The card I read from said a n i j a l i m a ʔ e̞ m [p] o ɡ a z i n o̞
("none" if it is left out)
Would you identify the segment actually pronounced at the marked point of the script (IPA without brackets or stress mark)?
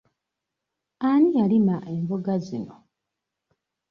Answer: b